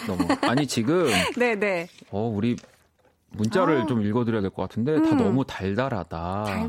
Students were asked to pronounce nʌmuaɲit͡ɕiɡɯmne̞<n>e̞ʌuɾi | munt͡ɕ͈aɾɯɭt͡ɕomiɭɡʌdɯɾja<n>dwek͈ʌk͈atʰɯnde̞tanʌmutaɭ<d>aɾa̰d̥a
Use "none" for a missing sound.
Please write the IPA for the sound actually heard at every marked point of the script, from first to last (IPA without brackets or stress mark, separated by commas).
n, none, d